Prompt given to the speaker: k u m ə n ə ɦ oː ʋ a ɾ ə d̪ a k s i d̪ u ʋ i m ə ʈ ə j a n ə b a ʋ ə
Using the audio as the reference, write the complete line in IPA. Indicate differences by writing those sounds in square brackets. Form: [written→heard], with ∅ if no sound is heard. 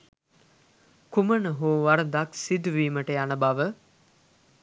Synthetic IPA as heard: k u m ə n ə ɦ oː ʋ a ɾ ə d̪ a k s i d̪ u ʋ [i→iː] m ə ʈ ə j a n ə b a ʋ ə